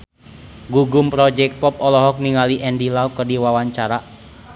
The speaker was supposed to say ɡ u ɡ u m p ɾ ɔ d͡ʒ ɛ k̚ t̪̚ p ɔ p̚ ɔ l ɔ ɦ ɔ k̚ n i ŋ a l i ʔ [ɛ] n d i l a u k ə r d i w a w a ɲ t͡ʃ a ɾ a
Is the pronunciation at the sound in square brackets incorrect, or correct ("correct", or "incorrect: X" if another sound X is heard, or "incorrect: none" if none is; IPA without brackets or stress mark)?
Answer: correct